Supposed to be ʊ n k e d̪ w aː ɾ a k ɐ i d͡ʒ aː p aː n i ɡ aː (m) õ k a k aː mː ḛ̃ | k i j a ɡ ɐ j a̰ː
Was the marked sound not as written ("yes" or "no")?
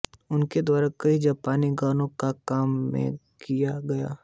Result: yes